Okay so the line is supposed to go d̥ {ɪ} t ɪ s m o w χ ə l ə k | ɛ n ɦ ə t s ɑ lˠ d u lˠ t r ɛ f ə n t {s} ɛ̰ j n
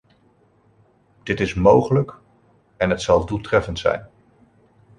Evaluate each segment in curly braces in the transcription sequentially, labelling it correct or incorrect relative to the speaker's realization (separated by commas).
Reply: correct, correct